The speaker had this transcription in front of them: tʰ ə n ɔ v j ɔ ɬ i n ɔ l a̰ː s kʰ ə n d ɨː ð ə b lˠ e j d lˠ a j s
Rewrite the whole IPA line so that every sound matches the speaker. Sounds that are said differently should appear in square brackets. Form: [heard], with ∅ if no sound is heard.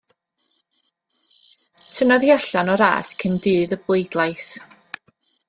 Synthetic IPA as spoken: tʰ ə n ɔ [ð] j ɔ ɬ [a] n ɔ [ɾ] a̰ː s kʰ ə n d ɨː ð ə b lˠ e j d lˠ a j s